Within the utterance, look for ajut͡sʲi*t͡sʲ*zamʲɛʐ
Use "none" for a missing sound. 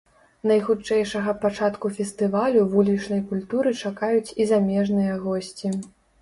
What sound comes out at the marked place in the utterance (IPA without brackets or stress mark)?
none